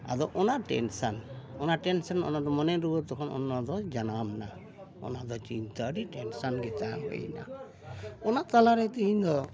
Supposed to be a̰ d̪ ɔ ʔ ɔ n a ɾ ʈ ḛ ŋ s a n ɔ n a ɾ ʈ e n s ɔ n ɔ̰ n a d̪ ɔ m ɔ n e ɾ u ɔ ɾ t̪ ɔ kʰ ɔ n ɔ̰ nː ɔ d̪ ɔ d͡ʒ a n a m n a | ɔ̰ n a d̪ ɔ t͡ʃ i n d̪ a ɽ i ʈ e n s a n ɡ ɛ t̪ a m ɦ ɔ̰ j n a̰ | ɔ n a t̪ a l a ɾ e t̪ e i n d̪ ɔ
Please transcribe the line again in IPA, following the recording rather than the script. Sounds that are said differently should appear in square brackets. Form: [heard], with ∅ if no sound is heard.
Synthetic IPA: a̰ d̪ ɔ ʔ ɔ n a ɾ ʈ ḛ [n] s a n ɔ n a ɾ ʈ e n s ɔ n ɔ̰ n a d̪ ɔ m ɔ n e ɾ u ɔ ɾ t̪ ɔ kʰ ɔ n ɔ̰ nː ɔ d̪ ɔ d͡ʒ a n a m n a | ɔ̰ n a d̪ ɔ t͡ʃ i n [t̪] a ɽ i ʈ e n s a n ɡ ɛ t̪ a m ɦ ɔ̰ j n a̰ | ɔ n a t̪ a l a ɾ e t̪ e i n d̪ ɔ